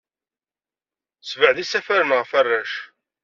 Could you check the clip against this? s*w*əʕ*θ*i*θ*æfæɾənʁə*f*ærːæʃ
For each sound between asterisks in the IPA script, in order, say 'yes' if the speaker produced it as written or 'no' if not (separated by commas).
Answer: no, no, no, yes